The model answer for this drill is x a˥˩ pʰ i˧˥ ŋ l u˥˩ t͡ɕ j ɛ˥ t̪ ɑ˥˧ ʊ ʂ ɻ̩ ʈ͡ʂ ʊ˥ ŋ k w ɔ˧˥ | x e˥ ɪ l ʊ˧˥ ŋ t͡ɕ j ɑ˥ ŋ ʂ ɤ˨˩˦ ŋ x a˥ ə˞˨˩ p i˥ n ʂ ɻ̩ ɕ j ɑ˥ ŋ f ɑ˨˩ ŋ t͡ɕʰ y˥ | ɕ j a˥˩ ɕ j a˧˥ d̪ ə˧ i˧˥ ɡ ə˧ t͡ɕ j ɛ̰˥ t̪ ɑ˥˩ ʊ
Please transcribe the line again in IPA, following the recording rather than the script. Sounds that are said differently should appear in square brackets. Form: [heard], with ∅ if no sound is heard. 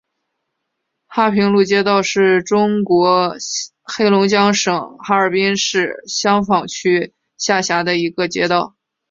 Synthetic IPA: x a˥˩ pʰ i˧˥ ŋ l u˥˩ t͡ɕ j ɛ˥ t̪ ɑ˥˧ ʊ ʂ ɻ̩ ʈ͡ʂ ʊ˥ ŋ k w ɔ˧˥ | x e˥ ɪ l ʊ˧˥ ŋ t͡ɕ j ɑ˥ ŋ ʂ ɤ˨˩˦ ŋ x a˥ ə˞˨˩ p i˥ n ʂ ɻ̩ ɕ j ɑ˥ ŋ f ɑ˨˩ ŋ t͡ɕʰ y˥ | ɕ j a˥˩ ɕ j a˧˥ d̪ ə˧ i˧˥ ɡ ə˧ t͡ɕ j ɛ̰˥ t̪ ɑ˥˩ ʊ